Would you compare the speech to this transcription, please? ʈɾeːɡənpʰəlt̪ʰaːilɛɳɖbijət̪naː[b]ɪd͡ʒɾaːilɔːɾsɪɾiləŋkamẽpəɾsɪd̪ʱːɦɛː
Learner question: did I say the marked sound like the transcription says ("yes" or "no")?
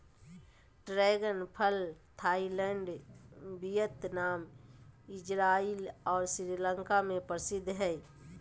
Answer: no